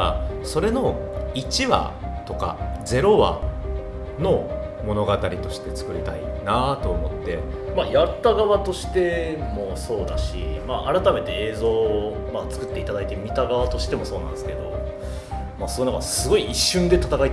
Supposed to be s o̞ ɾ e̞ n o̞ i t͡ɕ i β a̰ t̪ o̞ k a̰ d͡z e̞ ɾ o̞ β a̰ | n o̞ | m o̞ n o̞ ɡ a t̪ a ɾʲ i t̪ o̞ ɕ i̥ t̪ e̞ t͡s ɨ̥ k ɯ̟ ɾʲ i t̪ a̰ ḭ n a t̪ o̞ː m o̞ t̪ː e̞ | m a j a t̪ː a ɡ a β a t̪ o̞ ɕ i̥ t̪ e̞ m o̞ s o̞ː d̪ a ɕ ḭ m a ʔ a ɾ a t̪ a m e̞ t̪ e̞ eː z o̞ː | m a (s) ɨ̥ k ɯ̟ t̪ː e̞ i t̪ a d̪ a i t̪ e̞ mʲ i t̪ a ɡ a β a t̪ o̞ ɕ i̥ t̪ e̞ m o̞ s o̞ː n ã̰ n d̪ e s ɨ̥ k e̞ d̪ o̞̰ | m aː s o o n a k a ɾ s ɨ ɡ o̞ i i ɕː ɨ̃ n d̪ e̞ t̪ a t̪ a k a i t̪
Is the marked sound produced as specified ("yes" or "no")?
no